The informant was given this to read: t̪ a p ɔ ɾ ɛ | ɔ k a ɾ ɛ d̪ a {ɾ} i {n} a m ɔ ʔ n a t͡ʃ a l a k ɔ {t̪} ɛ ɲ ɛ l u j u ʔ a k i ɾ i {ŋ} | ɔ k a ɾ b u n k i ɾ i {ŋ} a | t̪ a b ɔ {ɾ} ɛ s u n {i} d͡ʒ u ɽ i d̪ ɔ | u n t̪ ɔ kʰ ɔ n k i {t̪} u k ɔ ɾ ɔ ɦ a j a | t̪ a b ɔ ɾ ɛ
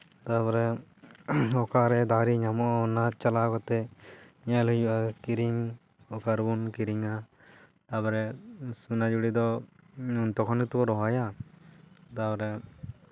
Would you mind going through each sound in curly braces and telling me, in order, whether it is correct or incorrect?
correct, incorrect: ɲ, correct, correct, correct, correct, incorrect: a, correct

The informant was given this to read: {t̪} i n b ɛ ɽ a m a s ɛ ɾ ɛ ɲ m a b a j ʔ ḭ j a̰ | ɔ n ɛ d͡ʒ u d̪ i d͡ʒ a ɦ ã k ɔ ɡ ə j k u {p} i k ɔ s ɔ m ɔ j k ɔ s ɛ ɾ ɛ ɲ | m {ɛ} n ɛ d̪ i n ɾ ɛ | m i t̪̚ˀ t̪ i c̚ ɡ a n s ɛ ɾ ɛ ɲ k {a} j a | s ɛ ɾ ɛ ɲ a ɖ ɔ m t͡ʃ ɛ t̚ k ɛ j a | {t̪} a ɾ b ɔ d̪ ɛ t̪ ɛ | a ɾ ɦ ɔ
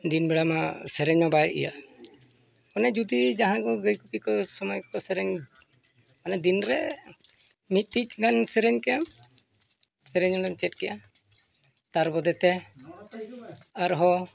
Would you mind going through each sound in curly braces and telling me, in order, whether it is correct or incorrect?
incorrect: d̪, correct, incorrect: a, incorrect: ɛ, correct

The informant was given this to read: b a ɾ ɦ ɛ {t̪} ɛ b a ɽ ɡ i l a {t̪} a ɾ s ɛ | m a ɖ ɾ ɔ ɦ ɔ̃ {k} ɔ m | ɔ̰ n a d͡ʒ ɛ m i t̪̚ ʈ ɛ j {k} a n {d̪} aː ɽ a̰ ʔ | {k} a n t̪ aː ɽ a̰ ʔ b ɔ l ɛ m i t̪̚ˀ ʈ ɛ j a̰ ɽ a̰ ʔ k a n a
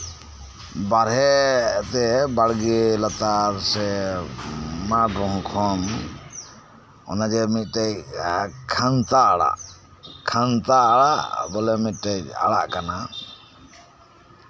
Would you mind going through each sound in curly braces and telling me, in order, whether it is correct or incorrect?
correct, correct, incorrect: kʰ, incorrect: kʰ, incorrect: t̪, incorrect: kʰ

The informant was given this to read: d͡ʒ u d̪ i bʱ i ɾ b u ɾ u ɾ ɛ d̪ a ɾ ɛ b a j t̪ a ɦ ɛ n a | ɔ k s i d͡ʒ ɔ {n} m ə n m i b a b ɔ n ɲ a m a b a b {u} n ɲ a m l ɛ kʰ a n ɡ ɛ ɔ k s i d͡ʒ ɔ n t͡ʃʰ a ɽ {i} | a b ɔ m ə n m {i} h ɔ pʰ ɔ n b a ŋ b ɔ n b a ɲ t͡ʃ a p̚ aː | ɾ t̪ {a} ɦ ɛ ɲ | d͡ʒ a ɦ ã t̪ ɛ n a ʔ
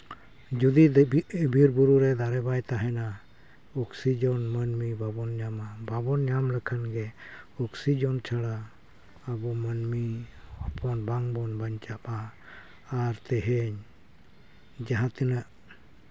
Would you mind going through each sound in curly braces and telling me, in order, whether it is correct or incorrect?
correct, incorrect: ɔ, incorrect: a, correct, incorrect: ɛ

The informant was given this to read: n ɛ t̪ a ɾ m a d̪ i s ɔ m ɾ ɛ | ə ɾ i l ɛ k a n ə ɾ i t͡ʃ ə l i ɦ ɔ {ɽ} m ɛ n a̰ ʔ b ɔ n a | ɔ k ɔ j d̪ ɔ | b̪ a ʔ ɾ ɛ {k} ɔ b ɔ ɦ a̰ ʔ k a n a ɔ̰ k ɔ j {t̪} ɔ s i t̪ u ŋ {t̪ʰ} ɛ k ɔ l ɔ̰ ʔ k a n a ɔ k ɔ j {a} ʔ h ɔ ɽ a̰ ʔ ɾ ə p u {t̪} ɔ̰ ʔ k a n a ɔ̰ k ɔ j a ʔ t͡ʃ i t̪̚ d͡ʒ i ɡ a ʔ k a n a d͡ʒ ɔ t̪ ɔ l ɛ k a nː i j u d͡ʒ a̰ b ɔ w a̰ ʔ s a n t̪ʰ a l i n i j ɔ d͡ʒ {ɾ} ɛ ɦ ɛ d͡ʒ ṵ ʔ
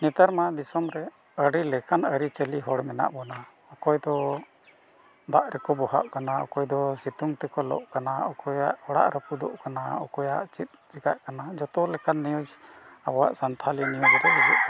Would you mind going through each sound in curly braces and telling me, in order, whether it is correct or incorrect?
correct, correct, incorrect: d̪, incorrect: t̪, correct, incorrect: d̪, correct

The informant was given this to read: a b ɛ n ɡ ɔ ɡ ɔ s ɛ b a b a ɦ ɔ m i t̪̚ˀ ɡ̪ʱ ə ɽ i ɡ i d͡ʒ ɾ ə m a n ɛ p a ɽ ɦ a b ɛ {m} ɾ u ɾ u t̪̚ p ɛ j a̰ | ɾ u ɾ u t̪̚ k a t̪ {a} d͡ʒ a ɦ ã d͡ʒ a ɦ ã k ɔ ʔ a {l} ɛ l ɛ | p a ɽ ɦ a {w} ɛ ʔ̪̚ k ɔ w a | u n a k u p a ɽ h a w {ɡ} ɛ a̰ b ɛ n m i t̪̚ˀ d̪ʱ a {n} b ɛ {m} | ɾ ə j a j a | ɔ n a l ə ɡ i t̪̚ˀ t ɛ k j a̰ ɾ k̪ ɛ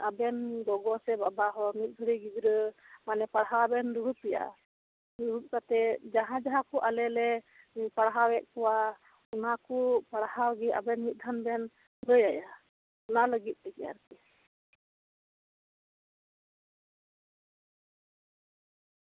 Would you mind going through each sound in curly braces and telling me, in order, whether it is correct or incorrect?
incorrect: n, incorrect: ɛ, correct, correct, correct, correct, incorrect: n

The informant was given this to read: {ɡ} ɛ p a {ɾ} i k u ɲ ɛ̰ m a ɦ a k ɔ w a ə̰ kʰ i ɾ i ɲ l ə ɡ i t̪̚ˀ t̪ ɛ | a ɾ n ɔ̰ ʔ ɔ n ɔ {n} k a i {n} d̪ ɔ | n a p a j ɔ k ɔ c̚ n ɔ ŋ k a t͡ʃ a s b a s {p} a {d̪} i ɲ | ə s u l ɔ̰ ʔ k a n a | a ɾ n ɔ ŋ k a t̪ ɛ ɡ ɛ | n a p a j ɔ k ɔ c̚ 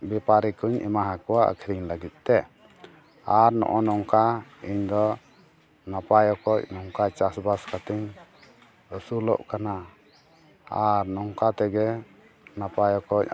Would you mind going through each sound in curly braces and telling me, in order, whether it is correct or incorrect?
incorrect: b, correct, incorrect: ŋ, incorrect: ɲ, incorrect: k, incorrect: t̪

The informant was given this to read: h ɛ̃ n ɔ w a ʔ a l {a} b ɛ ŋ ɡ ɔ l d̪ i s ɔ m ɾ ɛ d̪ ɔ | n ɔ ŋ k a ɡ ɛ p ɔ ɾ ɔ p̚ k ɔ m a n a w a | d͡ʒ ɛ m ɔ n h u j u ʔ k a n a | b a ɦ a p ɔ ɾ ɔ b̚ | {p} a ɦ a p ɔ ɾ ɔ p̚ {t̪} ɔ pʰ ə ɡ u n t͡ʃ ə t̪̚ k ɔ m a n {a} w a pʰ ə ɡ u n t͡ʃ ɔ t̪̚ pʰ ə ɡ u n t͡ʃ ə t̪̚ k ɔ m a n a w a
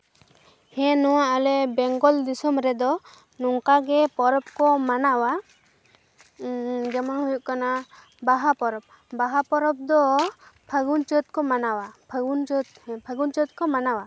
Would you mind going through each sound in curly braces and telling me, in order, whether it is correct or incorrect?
incorrect: ɛ, incorrect: b, incorrect: d̪, correct

